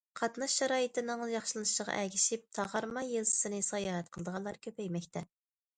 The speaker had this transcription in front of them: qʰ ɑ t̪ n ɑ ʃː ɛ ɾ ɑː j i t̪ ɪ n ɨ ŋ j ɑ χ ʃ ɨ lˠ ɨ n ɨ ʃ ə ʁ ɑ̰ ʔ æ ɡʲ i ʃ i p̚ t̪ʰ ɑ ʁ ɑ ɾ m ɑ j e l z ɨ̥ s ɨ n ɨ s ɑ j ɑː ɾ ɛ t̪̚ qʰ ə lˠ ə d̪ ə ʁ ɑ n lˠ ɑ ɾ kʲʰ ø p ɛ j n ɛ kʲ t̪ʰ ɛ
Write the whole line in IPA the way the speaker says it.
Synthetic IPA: qʰ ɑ t̪ n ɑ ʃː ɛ ɾ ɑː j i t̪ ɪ n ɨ ŋ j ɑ χ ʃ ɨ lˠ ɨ n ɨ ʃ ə ʁ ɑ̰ ʔ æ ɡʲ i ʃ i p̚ t̪ʰ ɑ ʁ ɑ ɾ m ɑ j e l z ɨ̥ s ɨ n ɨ s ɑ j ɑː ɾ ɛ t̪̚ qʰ ə lˠ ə d̪ ə ʁ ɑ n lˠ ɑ ɾ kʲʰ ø p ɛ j m ɛ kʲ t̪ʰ ɛ